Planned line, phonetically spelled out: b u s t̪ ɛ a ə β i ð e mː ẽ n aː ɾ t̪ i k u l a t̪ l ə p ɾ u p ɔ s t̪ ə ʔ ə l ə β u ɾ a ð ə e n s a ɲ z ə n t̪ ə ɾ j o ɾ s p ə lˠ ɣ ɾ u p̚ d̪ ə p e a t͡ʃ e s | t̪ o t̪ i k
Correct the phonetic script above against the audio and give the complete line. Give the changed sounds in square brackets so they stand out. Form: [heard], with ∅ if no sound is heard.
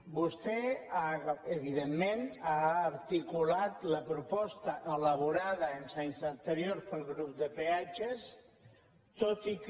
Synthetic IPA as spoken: b u s t̪ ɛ a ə β i ð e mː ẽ n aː ɾ t̪ i k u l a t̪ l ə p ɾ u p ɔ s t̪ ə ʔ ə l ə β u ɾ a ð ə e n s a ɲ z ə n t̪ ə ɾ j o ɾ s p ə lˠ ɣ ɾ u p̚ d̪ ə p e a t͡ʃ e s | t̪ o t̪ i k